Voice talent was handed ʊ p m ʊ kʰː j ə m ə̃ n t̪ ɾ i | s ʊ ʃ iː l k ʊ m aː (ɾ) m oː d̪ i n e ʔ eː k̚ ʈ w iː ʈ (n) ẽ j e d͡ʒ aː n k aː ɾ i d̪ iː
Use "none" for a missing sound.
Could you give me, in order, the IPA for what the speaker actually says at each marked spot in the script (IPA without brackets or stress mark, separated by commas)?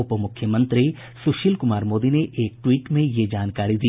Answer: ɾ, m